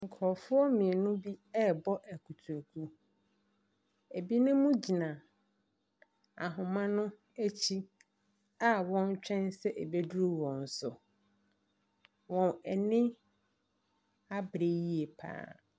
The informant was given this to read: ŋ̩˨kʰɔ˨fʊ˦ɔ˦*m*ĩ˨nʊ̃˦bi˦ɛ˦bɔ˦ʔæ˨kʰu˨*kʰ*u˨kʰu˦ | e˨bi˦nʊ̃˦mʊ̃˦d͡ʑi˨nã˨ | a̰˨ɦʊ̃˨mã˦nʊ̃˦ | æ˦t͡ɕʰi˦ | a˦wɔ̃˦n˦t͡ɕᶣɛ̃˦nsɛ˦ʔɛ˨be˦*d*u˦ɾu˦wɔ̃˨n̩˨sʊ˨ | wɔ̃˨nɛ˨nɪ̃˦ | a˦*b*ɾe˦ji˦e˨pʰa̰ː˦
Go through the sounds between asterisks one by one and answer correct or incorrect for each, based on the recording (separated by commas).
correct, incorrect, correct, correct